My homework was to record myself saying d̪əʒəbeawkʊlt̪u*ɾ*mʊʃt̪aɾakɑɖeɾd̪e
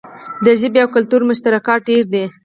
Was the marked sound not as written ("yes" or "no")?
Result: no